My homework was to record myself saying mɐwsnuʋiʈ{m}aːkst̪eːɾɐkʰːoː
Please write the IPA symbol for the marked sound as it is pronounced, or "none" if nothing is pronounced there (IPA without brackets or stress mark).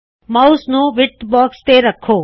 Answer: b